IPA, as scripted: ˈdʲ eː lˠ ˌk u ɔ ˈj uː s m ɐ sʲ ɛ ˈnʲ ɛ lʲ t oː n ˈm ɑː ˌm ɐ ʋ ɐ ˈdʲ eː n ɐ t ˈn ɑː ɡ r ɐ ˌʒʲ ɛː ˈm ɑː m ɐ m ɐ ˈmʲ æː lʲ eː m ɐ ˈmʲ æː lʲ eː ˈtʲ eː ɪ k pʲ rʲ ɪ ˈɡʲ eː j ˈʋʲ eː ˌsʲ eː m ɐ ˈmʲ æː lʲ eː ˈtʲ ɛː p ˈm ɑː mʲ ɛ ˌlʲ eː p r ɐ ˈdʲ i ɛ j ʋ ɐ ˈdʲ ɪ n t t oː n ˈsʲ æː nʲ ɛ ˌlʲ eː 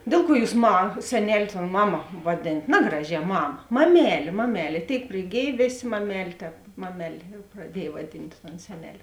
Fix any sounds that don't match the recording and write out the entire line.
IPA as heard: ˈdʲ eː lˠ ˌk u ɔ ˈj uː s m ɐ sʲ ɛ ˈnʲ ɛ lʲ t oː n ˈm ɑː ˌm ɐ ʋ ɐ ˈdʲ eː n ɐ t ˈn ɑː ɡ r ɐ ˌʒʲ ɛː ˈm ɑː m ɐ m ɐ ˈmʲ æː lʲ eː m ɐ ˈmʲ æː lʲ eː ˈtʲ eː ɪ k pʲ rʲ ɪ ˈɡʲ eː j ˈʋʲ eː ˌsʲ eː m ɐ ˈmʲ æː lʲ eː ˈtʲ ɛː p ˈm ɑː mʲ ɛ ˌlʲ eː p r ɐ ˈdʲ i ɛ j ʋ ɐ ˈdʲ ɪ n t t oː n ˈsʲ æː nʲ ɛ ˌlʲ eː